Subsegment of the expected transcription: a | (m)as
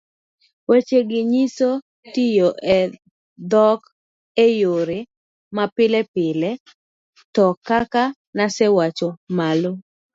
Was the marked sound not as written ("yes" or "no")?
yes